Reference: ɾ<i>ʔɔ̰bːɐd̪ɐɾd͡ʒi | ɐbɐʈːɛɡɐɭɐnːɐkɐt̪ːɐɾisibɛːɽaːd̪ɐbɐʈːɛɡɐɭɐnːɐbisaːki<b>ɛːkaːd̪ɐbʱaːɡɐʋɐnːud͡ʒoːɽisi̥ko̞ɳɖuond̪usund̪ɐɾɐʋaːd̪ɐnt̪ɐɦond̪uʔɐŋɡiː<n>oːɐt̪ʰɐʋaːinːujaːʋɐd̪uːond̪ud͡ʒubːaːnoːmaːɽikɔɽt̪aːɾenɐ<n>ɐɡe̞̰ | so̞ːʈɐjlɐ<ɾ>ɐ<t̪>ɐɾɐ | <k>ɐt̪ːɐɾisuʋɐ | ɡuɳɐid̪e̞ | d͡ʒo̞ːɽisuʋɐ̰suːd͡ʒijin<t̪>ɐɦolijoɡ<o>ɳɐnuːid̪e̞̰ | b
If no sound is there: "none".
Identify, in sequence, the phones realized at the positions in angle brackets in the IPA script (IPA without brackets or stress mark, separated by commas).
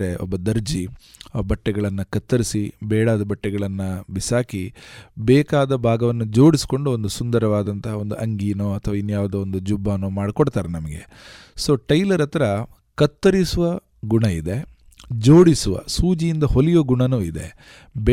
e, b, n, m, ɾ, t̪, k, d̪, u